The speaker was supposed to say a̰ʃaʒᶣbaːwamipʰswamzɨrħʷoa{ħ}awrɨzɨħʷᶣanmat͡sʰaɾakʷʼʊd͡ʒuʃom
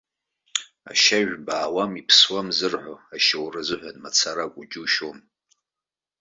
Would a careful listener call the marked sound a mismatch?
yes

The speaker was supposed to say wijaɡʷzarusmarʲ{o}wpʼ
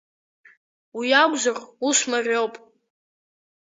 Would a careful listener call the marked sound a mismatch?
no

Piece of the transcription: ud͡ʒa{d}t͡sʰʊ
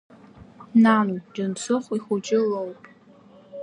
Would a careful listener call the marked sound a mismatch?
yes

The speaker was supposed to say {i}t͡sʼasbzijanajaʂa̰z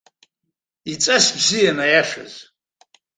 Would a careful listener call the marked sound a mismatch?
no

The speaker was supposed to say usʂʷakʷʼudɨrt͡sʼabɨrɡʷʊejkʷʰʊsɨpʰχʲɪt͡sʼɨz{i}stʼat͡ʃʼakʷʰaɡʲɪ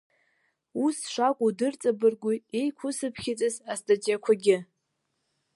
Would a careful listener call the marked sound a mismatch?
yes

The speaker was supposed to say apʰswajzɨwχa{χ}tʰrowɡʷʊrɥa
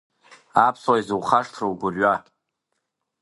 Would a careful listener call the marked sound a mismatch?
yes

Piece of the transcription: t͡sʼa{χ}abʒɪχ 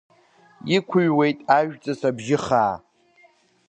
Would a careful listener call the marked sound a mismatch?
yes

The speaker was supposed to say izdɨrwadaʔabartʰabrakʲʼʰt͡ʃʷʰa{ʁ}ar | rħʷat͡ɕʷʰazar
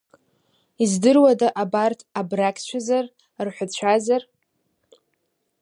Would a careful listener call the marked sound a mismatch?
yes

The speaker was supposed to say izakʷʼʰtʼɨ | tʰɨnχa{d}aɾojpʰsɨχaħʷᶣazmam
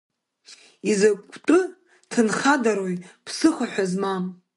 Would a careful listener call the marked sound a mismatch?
no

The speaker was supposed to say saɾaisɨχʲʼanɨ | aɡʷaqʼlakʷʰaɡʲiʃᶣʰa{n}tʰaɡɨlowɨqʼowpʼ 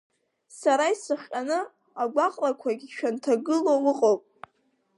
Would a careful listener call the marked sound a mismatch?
no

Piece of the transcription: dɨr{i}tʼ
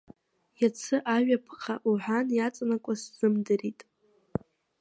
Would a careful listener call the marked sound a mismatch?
no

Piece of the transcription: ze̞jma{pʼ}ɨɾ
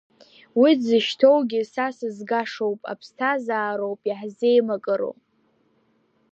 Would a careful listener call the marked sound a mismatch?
yes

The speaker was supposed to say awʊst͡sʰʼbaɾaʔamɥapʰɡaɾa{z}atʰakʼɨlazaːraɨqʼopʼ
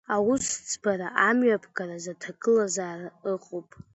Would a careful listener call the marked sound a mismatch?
no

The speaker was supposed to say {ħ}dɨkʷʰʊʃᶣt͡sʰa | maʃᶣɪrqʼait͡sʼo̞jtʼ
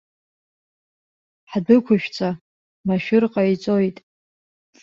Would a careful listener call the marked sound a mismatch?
no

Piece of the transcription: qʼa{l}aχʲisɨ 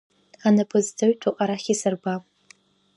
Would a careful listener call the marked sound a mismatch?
yes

